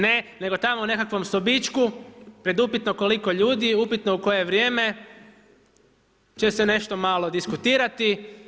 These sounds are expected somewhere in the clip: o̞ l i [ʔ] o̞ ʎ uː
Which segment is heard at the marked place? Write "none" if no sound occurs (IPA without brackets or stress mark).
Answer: k